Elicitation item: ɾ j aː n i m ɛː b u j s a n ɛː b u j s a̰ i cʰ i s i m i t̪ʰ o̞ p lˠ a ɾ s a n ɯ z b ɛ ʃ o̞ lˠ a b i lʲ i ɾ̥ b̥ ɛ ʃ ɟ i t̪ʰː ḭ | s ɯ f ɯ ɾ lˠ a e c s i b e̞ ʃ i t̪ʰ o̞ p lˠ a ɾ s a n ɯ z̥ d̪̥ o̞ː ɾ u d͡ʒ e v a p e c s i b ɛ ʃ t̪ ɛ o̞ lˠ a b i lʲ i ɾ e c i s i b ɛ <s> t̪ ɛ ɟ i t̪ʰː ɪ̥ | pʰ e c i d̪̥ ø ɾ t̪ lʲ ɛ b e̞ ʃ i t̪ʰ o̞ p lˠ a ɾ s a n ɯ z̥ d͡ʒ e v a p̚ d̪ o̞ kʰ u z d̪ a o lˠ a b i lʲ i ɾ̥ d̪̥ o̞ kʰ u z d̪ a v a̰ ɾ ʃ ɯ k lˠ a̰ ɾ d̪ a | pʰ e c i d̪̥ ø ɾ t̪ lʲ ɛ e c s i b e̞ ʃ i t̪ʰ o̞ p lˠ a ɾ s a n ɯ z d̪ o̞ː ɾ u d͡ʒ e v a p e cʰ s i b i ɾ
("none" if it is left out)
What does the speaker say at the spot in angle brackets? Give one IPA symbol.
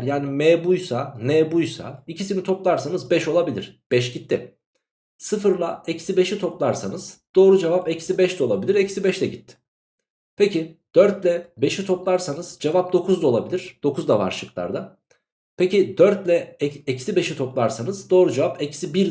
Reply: ʃ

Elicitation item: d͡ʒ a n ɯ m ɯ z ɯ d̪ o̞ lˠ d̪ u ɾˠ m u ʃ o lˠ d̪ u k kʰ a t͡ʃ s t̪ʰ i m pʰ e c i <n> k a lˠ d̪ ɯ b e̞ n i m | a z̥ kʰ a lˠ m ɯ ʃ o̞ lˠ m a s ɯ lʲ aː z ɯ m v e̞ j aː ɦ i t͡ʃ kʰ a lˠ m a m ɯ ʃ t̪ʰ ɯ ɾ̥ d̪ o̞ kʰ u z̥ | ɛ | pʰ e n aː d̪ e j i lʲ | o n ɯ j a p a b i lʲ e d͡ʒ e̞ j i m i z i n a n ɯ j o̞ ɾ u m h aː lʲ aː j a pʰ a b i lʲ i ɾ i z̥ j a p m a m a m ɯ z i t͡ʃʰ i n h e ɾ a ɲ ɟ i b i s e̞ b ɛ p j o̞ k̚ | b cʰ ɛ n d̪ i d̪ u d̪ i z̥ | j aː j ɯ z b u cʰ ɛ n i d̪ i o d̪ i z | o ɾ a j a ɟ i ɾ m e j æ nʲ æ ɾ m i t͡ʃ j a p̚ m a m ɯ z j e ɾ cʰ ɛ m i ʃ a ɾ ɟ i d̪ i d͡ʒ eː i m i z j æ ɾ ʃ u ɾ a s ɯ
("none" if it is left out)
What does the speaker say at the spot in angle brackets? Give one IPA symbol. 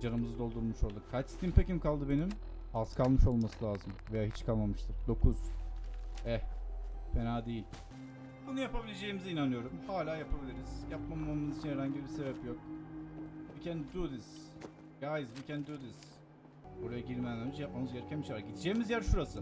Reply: m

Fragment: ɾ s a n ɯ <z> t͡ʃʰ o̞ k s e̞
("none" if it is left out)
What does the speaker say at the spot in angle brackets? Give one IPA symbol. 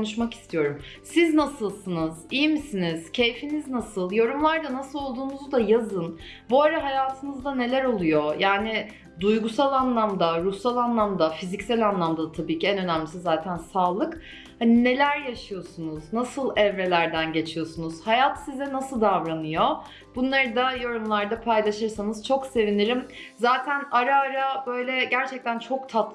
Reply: z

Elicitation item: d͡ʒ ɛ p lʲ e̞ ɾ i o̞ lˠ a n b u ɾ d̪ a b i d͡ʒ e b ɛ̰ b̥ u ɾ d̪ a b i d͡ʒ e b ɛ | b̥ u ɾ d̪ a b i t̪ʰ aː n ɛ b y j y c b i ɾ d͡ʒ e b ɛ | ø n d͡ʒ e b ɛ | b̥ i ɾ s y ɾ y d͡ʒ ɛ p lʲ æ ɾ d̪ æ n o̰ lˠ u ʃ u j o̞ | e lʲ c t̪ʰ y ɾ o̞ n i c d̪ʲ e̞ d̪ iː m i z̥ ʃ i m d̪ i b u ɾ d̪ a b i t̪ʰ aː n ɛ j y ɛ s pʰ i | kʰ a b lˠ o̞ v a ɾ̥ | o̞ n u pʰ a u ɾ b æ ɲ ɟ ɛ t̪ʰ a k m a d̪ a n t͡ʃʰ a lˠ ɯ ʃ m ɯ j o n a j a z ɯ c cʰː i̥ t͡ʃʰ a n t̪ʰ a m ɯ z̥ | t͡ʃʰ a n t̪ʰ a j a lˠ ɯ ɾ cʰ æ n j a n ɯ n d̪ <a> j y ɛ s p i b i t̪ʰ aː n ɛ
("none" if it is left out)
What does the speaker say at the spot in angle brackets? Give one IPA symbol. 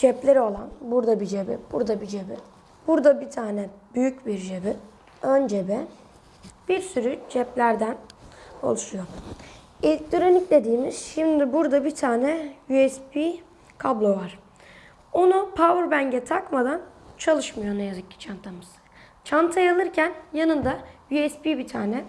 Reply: a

